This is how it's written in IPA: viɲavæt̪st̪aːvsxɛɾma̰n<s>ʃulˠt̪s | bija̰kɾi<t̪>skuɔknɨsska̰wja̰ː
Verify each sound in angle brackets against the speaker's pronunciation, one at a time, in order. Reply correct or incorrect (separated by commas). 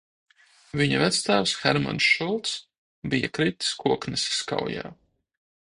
correct, correct